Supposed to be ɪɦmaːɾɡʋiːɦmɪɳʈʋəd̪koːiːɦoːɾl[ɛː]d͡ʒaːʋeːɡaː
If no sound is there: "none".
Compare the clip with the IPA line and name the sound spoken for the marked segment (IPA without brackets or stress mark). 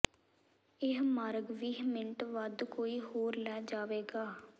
ɛː